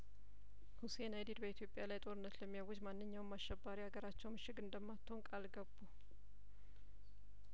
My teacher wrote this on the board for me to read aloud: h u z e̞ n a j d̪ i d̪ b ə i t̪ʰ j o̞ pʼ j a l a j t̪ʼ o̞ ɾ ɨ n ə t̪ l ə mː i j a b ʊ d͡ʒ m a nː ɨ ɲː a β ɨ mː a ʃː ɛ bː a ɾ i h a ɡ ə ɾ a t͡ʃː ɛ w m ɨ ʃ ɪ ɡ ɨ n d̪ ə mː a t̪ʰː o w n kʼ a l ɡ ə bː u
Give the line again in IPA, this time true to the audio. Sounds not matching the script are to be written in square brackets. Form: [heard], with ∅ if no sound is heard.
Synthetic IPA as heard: h u [s] e̞ n a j d̪ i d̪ b ə i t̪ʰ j o̞ pʼ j a l a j t̪ʼ o̞ ɾ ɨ [nː] ə t̪ l ə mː i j a [w] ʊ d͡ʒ m a nː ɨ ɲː a [w] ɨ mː a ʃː ɛ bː a ɾ i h a ɡ ə ɾ a t͡ʃː ɛ w m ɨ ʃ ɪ ɡ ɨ n d̪ ə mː a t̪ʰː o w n kʼ a l ɡ ə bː u

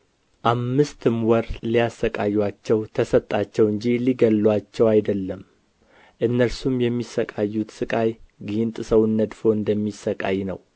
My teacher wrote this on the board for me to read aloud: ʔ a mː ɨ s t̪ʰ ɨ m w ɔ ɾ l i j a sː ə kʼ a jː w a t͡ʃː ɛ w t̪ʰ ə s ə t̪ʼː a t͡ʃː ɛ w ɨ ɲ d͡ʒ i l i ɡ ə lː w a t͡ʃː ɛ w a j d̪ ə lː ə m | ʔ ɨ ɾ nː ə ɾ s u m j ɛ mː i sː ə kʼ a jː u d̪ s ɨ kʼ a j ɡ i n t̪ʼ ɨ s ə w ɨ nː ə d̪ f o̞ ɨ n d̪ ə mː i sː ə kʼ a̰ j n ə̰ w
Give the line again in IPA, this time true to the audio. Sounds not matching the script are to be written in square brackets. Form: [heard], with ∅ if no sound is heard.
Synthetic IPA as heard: ʔ a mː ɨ s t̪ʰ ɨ m w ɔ ɾ l i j a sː ə kʼ a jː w a t͡ʃː ɛ w t̪ʰ ə s ə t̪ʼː a t͡ʃː ɛ w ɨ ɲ d͡ʒ i l i ɡ ə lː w a t͡ʃː ɛ w a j d̪ ə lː ə m | ʔ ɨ [∅] nː ə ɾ s u m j ɛ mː i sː ə kʼ a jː u [t̪] s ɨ kʼ a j ɡ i n t̪ʼ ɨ s ə w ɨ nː ə d̪ f o̞ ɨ n d̪ ə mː i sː ə kʼ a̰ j n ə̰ w

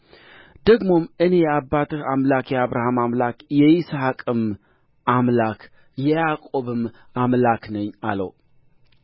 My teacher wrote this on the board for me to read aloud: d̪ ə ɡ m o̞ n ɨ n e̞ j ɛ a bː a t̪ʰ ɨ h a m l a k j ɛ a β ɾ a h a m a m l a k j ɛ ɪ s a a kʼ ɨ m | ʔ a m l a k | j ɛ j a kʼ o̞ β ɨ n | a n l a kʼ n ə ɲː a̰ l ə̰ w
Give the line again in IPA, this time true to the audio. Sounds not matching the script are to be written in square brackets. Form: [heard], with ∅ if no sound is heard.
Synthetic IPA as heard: d̪ ə ɡ m o̞ [m] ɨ n e̞ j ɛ a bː a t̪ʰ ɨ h a m l a k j ɛ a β ɾ a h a m a m l a k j ɛ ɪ s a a kʼ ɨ m | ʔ a m l a k | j ɛ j a kʼ o̞ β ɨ [m] | a [m] l a [k] n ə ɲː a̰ l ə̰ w

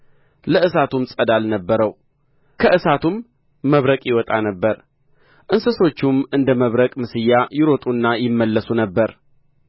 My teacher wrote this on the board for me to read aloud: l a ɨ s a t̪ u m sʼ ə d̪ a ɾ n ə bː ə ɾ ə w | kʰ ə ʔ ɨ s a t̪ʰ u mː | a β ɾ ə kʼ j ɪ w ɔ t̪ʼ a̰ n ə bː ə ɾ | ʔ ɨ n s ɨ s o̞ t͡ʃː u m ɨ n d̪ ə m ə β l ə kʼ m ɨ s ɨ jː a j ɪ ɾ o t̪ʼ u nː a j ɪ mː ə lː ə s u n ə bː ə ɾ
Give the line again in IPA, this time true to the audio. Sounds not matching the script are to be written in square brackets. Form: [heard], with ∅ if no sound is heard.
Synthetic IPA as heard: l [ə] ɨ s a t̪ u m sʼ ə d̪ a [l] n ə bː ə ɾ ə w | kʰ ə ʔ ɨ s a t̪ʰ u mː | [ə] β ɾ ə kʼ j ɪ w ɔ t̪ʼ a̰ n ə bː ə ɾ | ʔ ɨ n s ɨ s o̞ t͡ʃː u m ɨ n d̪ ə m ə β [ɾ] ə kʼ m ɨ s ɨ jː a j ɪ ɾ o t̪ʼ u nː a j ɪ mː ə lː ə s u n ə bː ə ɾ

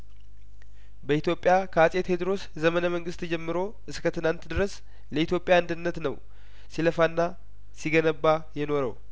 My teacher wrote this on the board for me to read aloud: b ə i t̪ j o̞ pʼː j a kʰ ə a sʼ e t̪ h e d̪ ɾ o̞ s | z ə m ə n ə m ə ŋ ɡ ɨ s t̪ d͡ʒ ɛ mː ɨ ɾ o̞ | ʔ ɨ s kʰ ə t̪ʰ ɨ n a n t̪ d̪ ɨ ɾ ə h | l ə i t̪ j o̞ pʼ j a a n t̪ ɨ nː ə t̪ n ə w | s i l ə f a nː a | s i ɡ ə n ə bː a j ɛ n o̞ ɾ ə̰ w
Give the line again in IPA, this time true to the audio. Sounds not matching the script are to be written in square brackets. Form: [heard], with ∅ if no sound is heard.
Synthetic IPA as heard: b ə i t̪ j o̞ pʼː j a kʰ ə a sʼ e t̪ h e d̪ ɾ o̞ s | z ə m ə n ə m ə ŋ ɡ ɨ s t̪ d͡ʒ ɛ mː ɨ ɾ o̞ | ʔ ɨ s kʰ ə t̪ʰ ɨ n a n t̪ d̪ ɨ ɾ ə [s] | l ə i t̪ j o̞ pʼ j a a n [d̪] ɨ nː ə t̪ n ə w | s i l ə f a nː a | s i ɡ ə n ə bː a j ɛ n o̞ ɾ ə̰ w

